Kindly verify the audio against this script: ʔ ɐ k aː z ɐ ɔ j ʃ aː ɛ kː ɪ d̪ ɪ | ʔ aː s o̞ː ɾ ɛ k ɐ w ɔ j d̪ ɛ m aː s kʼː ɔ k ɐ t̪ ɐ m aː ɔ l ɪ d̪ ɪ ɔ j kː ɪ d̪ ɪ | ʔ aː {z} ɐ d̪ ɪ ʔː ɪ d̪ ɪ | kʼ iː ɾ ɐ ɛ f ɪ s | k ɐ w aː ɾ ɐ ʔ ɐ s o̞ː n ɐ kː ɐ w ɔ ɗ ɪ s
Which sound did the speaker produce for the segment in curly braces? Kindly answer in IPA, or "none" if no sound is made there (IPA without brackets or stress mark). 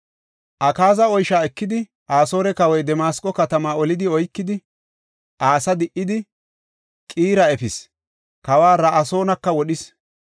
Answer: s